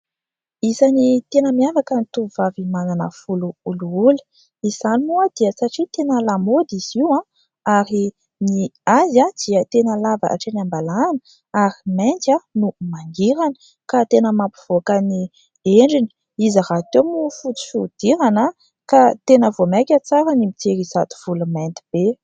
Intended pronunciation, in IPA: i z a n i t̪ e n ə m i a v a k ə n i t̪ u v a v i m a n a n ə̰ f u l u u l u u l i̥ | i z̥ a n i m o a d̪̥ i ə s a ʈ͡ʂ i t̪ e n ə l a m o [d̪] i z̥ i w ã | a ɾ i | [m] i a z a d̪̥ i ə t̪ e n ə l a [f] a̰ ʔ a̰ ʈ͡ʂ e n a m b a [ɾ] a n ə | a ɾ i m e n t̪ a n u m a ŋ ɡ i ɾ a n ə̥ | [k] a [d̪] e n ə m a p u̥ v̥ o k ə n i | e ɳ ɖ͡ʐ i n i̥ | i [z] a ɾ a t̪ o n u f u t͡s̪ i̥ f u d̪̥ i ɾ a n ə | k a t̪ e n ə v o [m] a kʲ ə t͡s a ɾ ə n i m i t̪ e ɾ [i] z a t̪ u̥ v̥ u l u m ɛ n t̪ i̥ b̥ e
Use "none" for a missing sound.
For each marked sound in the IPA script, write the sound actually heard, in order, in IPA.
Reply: d̪, n, v, l, k, t̪, z, m, i

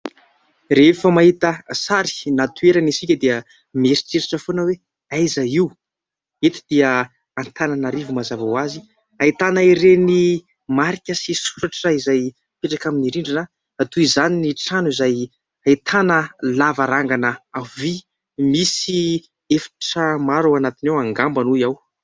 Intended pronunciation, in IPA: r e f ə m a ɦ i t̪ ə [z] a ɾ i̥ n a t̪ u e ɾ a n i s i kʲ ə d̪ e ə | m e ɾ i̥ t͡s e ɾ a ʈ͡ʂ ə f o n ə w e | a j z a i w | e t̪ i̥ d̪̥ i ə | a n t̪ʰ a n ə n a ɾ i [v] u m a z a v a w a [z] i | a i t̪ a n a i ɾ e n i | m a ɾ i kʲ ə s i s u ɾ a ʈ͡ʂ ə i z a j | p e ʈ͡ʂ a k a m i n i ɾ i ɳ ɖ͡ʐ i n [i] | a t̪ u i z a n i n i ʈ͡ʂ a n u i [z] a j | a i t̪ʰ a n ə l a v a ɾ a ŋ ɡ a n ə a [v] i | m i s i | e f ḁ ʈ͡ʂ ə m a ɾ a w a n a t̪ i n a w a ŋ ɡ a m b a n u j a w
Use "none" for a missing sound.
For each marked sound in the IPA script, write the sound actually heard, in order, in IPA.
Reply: s, v, z, a, z, v

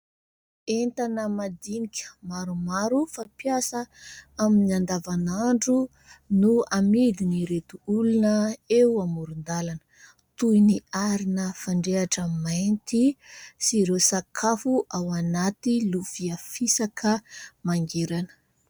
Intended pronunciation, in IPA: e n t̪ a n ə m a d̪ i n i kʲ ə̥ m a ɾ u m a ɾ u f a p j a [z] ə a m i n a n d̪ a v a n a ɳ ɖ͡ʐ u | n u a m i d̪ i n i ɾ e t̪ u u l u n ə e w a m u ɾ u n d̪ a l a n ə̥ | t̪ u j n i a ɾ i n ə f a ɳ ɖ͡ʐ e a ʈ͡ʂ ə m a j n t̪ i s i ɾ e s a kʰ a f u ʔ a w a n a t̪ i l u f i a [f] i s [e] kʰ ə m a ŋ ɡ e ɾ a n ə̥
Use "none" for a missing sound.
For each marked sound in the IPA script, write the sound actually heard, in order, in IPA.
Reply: s, f, a

